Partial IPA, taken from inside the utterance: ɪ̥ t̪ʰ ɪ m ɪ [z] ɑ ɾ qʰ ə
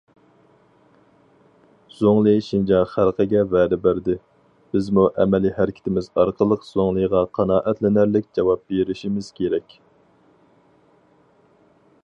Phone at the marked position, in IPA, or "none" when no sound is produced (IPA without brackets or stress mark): z